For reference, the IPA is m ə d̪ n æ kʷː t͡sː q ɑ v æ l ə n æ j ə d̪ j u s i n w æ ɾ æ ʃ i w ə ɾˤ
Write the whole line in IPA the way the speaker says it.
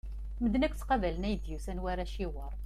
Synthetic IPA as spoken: m ə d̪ n æ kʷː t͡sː q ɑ v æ l ə n æ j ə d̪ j u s æ n w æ ɾ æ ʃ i w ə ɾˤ